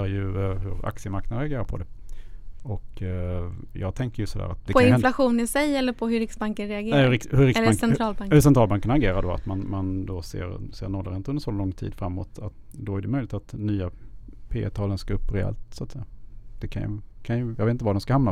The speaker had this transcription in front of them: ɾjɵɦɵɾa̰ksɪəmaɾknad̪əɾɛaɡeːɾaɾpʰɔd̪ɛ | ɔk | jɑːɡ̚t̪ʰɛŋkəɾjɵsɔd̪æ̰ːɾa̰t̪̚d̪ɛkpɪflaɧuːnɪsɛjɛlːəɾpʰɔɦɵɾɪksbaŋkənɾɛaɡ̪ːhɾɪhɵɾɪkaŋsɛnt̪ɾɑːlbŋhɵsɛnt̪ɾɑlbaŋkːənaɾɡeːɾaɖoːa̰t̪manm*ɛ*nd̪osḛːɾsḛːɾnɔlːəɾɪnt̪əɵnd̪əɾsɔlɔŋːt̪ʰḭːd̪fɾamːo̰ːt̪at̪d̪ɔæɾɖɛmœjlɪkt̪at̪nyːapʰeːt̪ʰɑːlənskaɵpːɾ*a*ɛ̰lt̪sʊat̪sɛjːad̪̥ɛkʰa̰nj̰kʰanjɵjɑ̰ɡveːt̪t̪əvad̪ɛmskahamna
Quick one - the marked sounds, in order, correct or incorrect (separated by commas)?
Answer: incorrect, incorrect